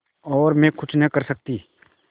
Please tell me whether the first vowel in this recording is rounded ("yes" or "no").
yes